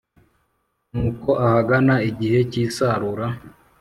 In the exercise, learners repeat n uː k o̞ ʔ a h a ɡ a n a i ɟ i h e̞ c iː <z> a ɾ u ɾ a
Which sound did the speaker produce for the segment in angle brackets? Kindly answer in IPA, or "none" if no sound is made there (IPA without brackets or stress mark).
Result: s